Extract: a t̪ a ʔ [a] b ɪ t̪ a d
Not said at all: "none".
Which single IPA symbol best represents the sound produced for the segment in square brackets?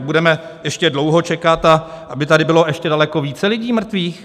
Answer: a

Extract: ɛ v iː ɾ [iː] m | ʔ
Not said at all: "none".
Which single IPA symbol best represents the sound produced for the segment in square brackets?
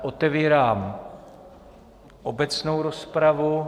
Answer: aː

